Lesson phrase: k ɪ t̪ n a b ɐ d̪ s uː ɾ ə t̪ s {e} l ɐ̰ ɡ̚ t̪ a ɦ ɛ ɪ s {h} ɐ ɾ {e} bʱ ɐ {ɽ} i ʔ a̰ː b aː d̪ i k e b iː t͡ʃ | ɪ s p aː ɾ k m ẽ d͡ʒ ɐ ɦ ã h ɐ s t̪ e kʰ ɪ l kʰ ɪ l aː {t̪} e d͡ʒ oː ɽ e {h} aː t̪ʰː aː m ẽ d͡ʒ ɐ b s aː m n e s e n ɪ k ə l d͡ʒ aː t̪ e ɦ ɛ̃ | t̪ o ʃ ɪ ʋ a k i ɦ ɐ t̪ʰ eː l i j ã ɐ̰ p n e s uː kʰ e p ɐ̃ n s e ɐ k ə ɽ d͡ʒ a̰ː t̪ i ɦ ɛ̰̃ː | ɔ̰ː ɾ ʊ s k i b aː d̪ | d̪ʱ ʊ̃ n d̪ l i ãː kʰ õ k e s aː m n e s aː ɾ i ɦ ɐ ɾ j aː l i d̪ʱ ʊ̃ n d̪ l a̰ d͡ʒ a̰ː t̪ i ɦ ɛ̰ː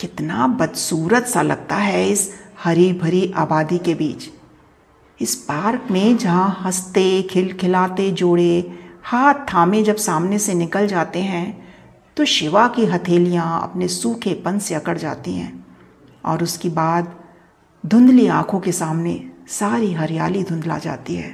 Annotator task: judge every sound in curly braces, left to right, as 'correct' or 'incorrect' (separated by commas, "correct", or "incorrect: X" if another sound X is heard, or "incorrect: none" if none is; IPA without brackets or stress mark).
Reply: incorrect: a, correct, incorrect: i, incorrect: ɾ, correct, correct